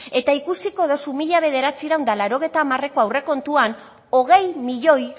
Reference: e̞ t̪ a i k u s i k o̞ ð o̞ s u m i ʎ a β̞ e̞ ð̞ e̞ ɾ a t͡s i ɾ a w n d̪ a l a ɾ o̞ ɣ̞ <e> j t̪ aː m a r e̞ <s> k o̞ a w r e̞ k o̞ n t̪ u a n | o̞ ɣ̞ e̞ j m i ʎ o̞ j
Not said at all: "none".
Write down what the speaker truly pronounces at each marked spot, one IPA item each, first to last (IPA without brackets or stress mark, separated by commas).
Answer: e, none